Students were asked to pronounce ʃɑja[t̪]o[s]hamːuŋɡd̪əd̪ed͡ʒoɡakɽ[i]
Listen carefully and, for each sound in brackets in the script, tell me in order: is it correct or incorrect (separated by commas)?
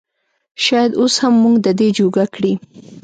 incorrect, correct, correct